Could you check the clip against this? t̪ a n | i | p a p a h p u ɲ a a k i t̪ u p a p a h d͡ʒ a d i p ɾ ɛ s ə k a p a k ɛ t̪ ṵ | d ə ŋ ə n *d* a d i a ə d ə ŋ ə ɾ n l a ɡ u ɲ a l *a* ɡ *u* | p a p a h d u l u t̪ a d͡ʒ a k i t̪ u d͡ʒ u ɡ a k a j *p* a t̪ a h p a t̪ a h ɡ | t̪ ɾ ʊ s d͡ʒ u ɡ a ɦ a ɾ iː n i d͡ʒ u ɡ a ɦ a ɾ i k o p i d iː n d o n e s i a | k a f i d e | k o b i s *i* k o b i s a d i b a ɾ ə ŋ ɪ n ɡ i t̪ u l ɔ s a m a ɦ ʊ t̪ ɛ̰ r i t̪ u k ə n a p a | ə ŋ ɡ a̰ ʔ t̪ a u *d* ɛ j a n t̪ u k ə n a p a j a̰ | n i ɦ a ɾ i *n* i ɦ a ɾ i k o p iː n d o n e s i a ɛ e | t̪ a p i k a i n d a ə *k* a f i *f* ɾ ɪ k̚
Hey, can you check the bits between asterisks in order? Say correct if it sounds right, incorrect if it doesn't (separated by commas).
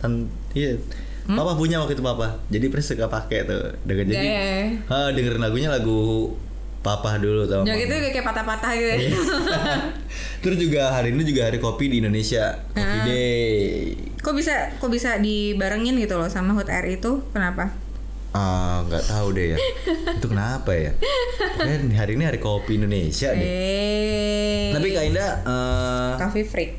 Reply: incorrect, correct, correct, correct, incorrect, correct, correct, correct, correct